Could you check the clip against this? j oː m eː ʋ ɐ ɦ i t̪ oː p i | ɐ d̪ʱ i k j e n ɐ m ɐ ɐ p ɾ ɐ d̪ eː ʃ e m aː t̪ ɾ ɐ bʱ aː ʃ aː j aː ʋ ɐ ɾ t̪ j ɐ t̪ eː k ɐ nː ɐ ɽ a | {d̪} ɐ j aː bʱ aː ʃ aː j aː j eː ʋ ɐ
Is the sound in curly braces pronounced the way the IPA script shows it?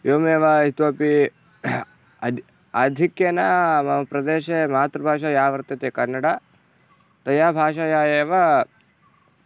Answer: no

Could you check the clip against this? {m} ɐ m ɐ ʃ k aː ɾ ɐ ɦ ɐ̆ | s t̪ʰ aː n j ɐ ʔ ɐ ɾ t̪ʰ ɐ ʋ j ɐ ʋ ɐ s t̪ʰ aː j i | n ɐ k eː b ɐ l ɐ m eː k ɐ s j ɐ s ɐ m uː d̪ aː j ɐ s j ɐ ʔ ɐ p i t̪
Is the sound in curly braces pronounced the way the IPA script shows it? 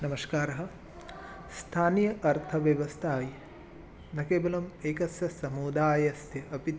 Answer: no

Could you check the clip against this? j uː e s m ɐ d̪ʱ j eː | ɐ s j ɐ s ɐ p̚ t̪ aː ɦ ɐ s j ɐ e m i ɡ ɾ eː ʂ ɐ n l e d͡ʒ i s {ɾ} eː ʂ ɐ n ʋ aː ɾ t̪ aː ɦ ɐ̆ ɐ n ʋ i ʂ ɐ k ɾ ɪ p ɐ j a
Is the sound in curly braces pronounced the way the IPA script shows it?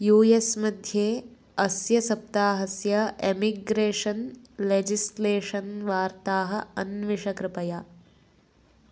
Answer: no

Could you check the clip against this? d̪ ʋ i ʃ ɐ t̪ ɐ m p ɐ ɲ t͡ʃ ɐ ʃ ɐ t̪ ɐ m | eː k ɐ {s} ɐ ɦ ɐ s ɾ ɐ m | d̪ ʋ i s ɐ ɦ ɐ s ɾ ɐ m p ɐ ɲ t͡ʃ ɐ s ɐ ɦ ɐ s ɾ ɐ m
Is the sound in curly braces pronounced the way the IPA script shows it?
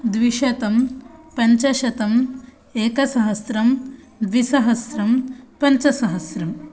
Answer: yes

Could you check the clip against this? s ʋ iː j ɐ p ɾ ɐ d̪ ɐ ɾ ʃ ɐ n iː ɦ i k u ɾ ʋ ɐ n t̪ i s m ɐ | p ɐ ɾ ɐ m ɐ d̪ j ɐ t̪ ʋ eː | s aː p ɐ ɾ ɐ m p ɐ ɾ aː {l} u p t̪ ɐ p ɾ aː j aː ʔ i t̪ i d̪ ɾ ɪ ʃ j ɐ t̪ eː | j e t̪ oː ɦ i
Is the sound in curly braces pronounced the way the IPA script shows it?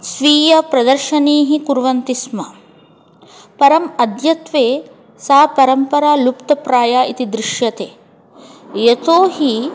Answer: yes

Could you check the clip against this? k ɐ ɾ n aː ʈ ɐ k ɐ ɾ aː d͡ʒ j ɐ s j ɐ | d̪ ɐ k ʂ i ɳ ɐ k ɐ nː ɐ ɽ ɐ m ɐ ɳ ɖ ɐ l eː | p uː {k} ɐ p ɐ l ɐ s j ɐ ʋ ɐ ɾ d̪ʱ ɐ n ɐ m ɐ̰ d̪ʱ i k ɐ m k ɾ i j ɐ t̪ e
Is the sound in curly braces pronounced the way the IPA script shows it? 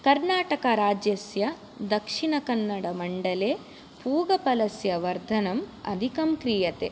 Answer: no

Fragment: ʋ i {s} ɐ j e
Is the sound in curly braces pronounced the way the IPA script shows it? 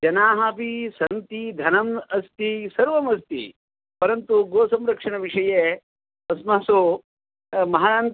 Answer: no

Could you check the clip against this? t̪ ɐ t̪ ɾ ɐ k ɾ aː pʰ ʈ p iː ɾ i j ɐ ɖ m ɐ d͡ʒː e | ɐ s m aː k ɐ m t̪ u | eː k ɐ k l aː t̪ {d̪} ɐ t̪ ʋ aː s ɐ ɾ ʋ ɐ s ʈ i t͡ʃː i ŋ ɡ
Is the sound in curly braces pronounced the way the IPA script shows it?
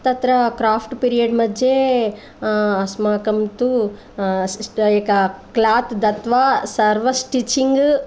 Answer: yes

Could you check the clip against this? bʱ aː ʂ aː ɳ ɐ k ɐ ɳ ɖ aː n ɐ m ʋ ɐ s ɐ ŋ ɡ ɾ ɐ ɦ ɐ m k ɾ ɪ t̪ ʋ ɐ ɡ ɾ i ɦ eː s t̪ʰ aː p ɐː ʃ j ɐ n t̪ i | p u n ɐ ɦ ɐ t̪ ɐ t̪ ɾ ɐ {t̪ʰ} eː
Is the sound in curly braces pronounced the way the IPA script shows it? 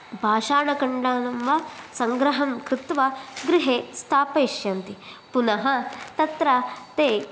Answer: no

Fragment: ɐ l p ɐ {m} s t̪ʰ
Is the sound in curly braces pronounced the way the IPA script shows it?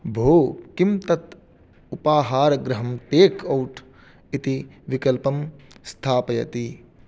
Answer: yes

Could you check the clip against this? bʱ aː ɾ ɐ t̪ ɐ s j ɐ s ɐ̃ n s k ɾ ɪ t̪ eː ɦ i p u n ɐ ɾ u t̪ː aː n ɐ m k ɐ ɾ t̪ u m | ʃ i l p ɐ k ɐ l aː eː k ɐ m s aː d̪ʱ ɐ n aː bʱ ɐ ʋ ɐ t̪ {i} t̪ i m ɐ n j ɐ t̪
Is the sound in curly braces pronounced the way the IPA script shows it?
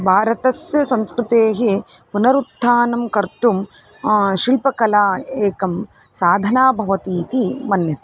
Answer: no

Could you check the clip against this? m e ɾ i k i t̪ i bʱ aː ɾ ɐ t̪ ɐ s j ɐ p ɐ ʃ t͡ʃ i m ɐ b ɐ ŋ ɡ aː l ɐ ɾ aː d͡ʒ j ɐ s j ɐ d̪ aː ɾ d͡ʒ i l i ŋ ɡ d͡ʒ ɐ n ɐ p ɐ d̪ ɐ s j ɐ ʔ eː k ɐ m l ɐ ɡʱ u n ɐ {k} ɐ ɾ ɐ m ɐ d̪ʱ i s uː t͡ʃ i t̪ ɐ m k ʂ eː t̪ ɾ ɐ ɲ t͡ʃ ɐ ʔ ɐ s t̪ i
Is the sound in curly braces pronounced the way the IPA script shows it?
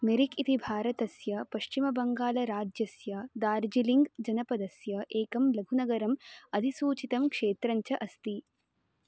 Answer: no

